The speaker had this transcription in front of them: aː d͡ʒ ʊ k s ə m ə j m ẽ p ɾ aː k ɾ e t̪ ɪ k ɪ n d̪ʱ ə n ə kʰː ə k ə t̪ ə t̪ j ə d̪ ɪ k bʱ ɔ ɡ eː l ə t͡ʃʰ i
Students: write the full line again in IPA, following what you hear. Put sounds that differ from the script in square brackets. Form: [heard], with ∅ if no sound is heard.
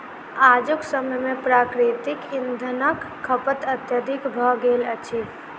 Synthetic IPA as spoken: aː d͡ʒ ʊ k s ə m ə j m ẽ p ɾ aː k ɾ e t̪ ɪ k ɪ n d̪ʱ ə n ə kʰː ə [p] ə t̪ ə t̪ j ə d̪ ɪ k bʱ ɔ ɡ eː l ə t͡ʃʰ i